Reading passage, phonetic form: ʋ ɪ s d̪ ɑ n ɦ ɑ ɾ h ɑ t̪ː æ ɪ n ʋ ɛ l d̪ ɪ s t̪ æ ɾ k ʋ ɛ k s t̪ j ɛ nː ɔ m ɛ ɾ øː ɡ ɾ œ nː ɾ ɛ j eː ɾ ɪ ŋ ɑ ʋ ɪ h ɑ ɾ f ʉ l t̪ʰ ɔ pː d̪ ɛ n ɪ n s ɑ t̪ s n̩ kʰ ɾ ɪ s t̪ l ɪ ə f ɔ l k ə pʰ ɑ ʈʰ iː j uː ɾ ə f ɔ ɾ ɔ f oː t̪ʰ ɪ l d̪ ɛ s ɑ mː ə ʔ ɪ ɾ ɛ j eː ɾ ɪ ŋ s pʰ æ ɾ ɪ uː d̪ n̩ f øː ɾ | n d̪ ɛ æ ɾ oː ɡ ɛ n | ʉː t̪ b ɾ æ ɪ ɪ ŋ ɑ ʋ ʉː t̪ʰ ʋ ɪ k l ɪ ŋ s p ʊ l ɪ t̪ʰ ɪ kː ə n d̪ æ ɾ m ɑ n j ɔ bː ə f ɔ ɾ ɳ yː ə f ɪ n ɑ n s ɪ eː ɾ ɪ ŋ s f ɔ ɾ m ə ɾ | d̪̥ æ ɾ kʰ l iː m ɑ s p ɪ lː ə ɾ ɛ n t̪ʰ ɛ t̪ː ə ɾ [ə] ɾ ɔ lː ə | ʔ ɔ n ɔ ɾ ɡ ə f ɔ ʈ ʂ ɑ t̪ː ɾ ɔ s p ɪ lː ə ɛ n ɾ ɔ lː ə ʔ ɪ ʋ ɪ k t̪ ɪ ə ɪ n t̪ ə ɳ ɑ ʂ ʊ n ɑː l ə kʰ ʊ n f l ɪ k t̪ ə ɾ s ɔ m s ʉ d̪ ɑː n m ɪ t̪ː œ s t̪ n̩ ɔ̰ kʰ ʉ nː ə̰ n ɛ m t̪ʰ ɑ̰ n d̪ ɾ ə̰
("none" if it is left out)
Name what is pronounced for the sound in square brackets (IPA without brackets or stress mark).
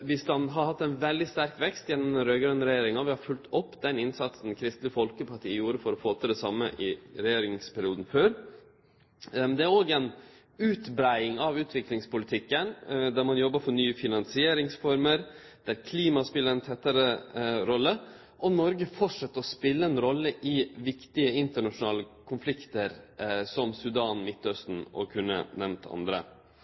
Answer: ə